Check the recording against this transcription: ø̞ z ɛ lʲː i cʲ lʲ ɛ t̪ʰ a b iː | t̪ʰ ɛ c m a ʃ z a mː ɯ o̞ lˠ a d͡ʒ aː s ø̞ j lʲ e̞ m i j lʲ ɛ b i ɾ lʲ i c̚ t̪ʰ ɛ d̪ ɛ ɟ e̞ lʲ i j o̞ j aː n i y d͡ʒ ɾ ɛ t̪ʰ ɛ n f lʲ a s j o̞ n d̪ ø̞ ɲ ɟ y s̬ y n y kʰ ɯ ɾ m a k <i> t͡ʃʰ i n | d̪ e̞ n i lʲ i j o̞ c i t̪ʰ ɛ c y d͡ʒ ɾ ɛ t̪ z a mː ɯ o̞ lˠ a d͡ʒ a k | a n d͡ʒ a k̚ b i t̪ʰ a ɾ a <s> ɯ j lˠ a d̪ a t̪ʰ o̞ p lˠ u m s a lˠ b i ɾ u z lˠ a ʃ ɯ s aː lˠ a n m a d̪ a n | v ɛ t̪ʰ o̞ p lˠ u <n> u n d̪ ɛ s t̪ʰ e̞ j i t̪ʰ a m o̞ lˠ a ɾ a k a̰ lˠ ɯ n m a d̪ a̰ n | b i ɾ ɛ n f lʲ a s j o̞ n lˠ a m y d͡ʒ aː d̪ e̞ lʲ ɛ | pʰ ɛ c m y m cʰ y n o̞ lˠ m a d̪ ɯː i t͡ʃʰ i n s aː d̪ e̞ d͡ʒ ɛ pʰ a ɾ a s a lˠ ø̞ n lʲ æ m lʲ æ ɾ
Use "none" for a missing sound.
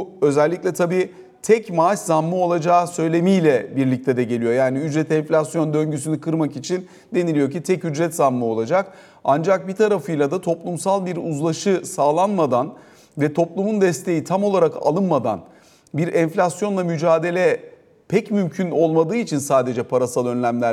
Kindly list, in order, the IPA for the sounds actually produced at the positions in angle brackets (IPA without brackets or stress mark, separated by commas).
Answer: i, f, m